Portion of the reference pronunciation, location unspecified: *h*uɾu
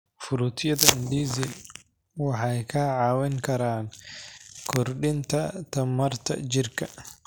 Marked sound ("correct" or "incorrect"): incorrect